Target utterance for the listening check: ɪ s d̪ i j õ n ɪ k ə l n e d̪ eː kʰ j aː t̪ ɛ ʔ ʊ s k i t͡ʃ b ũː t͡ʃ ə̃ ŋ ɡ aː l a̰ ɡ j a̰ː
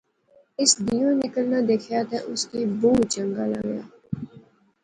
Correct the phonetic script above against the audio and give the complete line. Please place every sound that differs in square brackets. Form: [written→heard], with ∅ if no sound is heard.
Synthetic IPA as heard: ɪ s d̪ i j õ n ɪ k ə l n [e→a] d̪ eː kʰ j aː t̪ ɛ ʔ ʊ s k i [t͡ʃ→∅] b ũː t͡ʃ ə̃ ŋ ɡ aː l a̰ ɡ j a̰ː